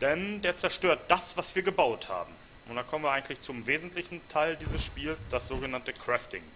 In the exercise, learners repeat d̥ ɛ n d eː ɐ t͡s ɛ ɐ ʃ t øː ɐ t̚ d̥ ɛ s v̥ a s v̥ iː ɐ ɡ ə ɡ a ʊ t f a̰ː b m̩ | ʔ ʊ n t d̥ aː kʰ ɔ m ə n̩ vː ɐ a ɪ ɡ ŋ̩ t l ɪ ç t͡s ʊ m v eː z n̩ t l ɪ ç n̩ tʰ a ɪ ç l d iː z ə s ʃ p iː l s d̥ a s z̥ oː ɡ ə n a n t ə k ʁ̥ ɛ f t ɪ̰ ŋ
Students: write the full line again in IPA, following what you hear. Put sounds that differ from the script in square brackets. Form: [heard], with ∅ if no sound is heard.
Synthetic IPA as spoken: d̥ ɛ n d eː ɐ t͡s ɛ ɐ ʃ t øː ɐ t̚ d̥ [a] s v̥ a s v̥ iː ɐ ɡ ə [b] a ʊ t [h] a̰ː b m̩ | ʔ ʊ n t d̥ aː kʰ ɔ m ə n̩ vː ɐ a ɪ ɡ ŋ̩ t l ɪ ç t͡s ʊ m v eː z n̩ t l ɪ ç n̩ tʰ a ɪ [∅] l d iː z ə s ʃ p iː l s d̥ a s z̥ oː ɡ ə n a n t ə k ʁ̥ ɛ f t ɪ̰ ŋ

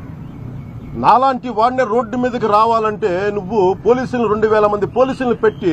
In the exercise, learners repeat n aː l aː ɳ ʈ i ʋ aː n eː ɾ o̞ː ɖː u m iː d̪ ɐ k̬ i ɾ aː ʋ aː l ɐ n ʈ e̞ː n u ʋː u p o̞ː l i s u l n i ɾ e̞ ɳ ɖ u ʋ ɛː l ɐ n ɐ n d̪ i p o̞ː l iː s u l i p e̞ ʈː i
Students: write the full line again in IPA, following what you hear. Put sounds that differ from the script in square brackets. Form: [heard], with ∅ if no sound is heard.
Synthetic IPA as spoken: n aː l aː ɳ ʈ i ʋ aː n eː ɾ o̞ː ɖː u m iː d̪ ɐ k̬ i ɾ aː ʋ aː l ɐ [ɳ] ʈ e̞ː n u ʋː u p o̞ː l [iː] s u l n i ɾ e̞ ɳ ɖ u ʋ ɛː l ɐ [m] ɐ n d̪ i p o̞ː l iː s u l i p e̞ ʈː i

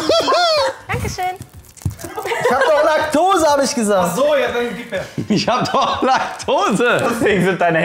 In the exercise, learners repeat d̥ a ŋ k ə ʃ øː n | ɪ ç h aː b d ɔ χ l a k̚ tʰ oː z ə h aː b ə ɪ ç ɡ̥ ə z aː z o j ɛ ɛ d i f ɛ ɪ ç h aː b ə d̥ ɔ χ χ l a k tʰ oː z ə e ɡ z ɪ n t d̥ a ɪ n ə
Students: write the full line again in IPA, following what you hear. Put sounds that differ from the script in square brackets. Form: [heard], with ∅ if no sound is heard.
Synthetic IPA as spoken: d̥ a ŋ k ə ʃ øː n | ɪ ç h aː b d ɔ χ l a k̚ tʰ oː z ə h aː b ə ɪ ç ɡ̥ ə z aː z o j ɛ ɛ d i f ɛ ɪ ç h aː b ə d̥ ɔ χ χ l a k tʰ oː z ə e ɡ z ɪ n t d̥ a ɪ n ə

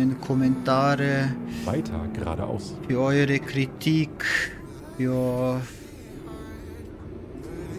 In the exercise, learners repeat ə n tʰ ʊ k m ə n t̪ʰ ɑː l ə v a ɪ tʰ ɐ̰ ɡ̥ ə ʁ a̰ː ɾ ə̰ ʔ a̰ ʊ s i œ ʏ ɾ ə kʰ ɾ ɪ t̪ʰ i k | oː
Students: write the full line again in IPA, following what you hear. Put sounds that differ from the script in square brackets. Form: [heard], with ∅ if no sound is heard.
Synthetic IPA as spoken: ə n [kʰ] ʊ [∅] m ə n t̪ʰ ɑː [ɾ] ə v a ɪ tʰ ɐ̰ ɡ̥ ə ʁ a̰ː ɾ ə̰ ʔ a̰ ʊ s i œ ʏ ɾ ə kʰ ɾ ɪ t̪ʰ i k | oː

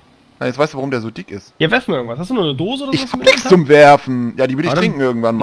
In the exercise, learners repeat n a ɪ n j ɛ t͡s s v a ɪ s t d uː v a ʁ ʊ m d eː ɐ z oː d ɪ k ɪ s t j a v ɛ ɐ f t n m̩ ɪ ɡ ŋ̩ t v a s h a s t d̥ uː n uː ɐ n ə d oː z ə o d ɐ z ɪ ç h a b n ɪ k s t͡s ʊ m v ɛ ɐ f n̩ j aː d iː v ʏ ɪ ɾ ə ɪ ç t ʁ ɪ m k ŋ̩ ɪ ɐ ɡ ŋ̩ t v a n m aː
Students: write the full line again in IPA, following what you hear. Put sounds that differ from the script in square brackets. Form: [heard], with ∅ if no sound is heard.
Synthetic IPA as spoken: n a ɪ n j ɛ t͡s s v a ɪ s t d uː v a ʁ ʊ m d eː ɐ z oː d ɪ k ɪ s t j a v ɛ ɐ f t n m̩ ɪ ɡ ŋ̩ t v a s h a s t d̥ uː n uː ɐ n ə d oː z ə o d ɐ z ɪ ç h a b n ɪ k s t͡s ʊ m v ɛ ɐ f n̩ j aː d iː v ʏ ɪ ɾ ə ɪ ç t ʁ ɪ [ŋ] k ŋ̩ ɪ ɐ ɡ ŋ̩ t v a n m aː

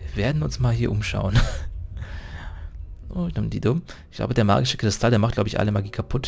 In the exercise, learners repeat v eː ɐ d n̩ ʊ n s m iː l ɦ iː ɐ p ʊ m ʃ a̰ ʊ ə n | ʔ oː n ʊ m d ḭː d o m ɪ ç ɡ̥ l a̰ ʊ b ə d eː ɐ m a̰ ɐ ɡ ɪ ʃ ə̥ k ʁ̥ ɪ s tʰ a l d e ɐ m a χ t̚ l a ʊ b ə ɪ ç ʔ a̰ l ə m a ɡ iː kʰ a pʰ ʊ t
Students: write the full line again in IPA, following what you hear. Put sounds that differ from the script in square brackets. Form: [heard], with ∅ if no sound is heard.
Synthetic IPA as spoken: v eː ɐ d n̩ ʊ n s m [aː] l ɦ iː ɐ [ʔ] ʊ m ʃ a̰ ʊ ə n | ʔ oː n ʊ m d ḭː d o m ɪ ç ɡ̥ l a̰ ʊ b ə d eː ɐ m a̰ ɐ ɡ ɪ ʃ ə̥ k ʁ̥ ɪ s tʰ a l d e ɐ m a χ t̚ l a ʊ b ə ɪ ç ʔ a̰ l ə m a ɡ iː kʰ a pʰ ʊ t

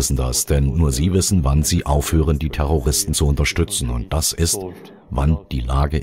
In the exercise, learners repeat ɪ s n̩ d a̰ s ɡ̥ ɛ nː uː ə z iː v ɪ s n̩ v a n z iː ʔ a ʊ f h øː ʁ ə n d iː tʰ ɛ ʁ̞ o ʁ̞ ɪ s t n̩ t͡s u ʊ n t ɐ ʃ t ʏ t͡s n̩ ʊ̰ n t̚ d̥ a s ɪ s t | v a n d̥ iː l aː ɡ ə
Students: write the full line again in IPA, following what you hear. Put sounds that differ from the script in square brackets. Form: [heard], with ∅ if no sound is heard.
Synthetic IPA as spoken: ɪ s n̩ d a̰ s [d̥] ɛ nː uː [ɐ] z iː v ɪ s n̩ v a n z iː ʔ a ʊ f h øː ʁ ə n d iː tʰ ɛ ʁ̞ o ʁ̞ ɪ s t n̩ t͡s u ʊ n t ɐ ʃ t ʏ t͡s n̩ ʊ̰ n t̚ d̥ a s ɪ s t | v a n d̥ iː l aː ɡ ə

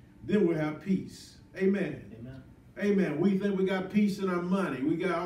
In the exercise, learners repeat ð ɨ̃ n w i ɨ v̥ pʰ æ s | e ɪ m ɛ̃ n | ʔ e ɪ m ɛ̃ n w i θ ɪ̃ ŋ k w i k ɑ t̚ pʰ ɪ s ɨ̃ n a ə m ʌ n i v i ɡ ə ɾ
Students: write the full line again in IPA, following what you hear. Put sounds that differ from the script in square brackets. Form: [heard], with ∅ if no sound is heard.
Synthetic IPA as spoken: ð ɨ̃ n w i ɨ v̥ pʰ [i] s | e ɪ m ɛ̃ n | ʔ e ɪ m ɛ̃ n w i θ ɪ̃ ŋ k w i [ɡ] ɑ t̚ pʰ [i] s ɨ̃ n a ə m ʌ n i [w] i ɡ [ɑ] ɾ

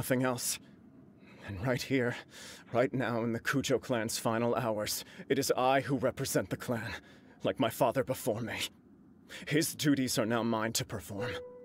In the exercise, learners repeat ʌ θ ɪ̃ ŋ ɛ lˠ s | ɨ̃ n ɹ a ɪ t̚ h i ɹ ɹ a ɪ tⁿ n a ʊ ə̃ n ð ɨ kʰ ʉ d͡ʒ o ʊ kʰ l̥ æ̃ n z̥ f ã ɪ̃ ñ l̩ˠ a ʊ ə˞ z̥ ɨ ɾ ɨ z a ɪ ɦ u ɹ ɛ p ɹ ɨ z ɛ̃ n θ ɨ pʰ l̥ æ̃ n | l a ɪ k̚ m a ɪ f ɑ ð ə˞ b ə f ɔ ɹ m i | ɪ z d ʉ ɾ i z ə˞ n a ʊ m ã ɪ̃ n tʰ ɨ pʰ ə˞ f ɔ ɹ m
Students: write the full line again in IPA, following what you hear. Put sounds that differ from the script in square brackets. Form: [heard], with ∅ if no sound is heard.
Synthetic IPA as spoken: ʌ θ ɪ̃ ŋ ɛ lˠ s | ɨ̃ n ɹ a ɪ t̚ h i ɹ ɹ a ɪ tⁿ n a ʊ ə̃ n ð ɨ kʰ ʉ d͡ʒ o ʊ kʰ l̥ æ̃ n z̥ f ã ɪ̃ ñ l̩ˠ a ʊ ə˞ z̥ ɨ ɾ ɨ z a ɪ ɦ u ɹ ɛ p ɹ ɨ z ɛ̃ n [ð] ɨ [kʰ] l̥ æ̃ n | l a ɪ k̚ m a ɪ f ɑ ð ə˞ b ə f ɔ ɹ m i | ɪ z d ʉ ɾ i z ə˞ n a ʊ m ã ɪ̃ n tʰ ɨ pʰ ə˞ f ɔ ɹ m

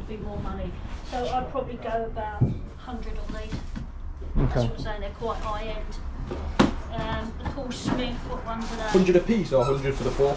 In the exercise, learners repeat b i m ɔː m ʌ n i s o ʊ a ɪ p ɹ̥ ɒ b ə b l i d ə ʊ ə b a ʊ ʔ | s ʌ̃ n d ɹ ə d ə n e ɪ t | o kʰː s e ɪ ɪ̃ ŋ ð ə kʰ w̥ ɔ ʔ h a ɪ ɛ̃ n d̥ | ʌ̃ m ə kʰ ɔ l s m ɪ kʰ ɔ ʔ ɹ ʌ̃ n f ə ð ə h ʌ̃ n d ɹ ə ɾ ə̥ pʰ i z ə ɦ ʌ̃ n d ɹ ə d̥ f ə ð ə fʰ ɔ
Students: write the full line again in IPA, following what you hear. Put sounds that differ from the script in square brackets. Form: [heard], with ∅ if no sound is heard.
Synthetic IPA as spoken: b i m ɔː m ʌ n i s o ʊ a ɪ [pʰ] ɹ̥ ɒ b ə b l i [ɡ] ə ʊ ə b a ʊ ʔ | [h] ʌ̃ n d ɹ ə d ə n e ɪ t | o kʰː s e ɪ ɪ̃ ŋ ð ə kʰ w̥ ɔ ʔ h a ɪ ɛ̃ n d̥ | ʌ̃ m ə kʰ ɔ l s m ɪ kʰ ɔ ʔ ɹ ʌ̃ n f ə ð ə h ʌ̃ n d ɹ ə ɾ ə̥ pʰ i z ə ɦ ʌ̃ n d ɹ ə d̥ f ə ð ə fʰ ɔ

